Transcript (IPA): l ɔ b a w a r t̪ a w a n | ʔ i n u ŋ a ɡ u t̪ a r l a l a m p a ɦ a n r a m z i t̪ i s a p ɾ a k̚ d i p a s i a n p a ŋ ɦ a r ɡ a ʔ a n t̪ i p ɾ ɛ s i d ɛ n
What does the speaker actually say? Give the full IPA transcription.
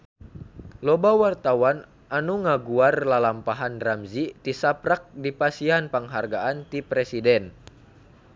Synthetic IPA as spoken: l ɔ b a w a r t̪ a w a n | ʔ a n u ŋ a ɡ u a r l a l a m p a ɦ a n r a m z i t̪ i s a p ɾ a k̚ d i p a s i a n p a ŋ ɦ a r ɡ a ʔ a n t̪ i p ɾ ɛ s i d ɛ n

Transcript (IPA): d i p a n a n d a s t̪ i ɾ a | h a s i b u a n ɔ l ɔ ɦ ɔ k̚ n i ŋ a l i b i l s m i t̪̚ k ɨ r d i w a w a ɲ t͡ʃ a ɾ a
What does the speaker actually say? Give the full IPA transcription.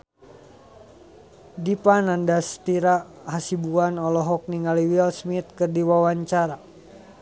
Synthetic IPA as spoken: d i p a n a n d a s t̪ i ɾ a | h a s i b u a n ɔ l ɔ ɦ ɔ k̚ n i ŋ a l i w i l s m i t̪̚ k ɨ r d i w a w a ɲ t͡ʃ a ɾ a

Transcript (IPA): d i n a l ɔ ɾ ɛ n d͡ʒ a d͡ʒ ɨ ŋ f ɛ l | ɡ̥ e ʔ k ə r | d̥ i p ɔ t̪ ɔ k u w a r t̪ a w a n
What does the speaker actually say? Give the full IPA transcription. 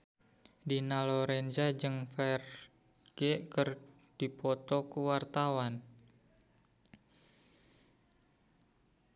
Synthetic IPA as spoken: d i n a l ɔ ɾ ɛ n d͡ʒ a d͡ʒ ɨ ŋ f ɛ r | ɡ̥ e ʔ k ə r | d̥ i p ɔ t̪ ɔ k u w a r t̪ a w a n

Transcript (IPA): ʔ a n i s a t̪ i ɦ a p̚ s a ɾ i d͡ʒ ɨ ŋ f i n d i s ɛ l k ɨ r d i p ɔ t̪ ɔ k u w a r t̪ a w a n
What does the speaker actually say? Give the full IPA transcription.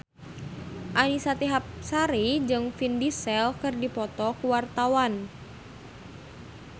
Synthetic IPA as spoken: ʔ a n i s a t̪ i ɦ a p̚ s a ɾ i d͡ʒ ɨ ŋ f i n d i s ɛ l k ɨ r d i p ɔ t̪ ɔ k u w a r t̪ a w a n

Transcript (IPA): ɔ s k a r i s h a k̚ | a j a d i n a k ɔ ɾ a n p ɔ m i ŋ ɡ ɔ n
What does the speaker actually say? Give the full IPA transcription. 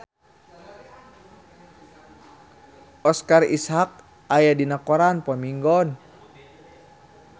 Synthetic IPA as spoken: ɔ s k a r i s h a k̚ | a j a d i n a k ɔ ɾ a n p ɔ m i ŋ ɡ ɔ n

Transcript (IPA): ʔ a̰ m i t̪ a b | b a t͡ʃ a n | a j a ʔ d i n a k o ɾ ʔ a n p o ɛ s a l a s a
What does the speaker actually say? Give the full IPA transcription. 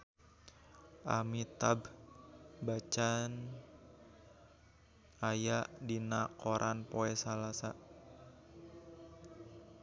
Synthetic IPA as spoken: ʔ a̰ m i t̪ a b | b a t͡ʃ a n | a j a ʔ d i n a k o ɾ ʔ a n p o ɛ s a l a s a

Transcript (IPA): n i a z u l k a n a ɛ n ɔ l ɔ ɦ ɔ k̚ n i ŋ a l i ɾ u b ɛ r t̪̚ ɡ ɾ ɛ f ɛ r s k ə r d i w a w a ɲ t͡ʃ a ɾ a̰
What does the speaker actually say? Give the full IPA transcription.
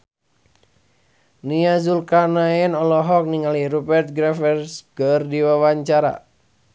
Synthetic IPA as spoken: n i a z u l k a n a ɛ n ɔ l ɔ ɦ ɔ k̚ n i ŋ a l i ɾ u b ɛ r t̪̚ ɡ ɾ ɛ f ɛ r s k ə r d i w a w a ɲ t͡ʃ a ɾ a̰

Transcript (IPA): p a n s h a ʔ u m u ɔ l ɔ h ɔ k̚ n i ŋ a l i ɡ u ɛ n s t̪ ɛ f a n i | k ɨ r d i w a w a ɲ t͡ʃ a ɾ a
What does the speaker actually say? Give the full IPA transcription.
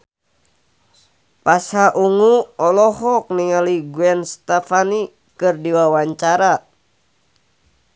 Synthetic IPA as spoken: p a s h a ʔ u ŋ u ɔ l ɔ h ɔ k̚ n i ŋ a l i ɡ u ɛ n s t̪ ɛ f a n i | k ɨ r d i w a w a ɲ t͡ʃ a ɾ a

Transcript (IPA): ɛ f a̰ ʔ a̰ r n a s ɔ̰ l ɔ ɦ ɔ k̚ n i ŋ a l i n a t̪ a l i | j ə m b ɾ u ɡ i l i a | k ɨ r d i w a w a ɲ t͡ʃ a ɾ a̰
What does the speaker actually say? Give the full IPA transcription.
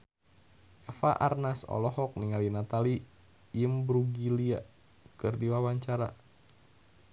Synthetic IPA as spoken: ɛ f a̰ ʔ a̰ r n a s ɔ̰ l ɔ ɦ ɔ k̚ n i ŋ a l i n a t̪ a l i | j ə m b ɾ u ɡ i l i a | k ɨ r d i w a w a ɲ t͡ʃ a ɾ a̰

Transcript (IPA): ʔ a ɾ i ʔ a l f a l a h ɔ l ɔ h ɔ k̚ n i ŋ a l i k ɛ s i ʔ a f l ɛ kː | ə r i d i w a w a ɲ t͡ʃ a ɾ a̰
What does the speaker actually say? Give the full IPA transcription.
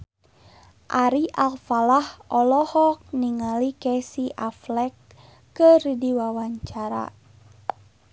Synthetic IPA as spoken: ʔ a ɾ i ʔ a l f a l a h ɔ l ɔ h ɔ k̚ n i ŋ a l i k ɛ s i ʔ a f l ɛ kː | ə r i d i w a w a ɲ t͡ʃ a ɾ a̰

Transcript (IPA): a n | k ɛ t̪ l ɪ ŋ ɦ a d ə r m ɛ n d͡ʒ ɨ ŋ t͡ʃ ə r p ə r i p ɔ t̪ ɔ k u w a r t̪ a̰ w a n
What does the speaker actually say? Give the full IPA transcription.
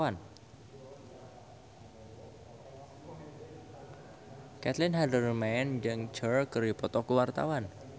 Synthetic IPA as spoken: a n | k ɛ t̪ l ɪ n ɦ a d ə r m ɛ n d͡ʒ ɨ ŋ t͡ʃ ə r k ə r i p ɔ t̪ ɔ k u w a r t̪ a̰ w a n

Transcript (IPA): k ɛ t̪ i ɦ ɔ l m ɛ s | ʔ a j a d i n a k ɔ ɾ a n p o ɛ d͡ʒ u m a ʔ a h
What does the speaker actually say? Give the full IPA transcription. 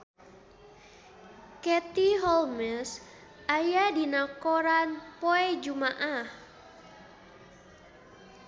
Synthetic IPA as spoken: k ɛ t̪ i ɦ ɔ l m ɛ s | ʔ a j a d i n a k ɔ ɾ a n p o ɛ d͡ʒ u m a ʔ a h

